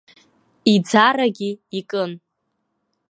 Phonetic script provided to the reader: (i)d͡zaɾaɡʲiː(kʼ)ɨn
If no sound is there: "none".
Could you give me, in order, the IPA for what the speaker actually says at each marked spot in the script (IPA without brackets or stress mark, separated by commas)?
i, kʼ